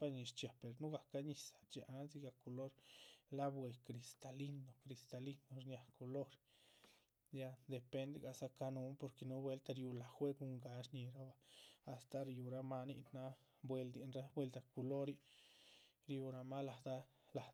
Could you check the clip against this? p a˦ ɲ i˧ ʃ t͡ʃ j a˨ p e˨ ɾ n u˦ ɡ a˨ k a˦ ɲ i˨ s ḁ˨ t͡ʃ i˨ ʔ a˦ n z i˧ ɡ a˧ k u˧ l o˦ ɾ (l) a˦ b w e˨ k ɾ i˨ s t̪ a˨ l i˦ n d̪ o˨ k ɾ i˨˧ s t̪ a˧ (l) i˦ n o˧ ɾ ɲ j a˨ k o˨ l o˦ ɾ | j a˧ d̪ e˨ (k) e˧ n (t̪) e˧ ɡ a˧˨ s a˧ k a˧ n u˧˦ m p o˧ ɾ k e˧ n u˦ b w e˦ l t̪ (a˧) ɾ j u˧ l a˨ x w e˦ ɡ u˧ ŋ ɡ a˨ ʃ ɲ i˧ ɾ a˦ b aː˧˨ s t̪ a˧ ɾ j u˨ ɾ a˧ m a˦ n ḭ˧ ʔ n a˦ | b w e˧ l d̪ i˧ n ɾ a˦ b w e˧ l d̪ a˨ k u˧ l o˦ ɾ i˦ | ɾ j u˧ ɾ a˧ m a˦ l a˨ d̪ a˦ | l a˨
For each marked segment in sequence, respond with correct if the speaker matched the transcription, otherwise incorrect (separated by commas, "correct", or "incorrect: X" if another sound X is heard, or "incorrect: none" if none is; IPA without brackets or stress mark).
correct, correct, incorrect: p, incorrect: d̪, correct